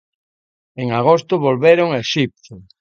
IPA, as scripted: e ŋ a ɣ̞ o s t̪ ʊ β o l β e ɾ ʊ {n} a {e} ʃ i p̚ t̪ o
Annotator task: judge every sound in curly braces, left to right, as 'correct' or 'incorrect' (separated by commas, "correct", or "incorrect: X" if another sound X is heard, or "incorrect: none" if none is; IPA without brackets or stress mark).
incorrect: ŋ, correct